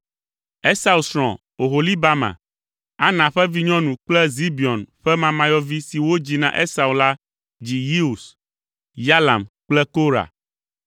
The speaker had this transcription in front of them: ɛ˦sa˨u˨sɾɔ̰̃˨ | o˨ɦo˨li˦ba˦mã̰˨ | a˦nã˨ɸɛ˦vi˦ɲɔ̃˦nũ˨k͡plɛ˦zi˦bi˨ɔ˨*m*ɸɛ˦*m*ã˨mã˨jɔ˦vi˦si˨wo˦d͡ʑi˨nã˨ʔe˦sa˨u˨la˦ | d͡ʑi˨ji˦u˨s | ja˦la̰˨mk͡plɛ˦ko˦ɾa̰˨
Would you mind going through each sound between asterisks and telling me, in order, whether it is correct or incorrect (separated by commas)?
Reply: incorrect, correct